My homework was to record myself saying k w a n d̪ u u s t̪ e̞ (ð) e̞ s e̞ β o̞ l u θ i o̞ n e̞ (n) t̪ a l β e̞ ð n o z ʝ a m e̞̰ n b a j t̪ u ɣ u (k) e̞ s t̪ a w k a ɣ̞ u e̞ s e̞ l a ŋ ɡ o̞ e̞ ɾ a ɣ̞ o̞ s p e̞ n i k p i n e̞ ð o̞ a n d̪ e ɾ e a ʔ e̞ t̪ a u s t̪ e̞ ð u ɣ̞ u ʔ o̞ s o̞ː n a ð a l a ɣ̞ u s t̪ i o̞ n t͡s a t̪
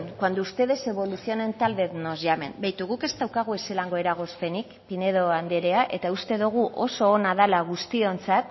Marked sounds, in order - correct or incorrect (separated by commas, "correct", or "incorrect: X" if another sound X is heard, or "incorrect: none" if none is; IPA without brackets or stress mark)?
correct, correct, correct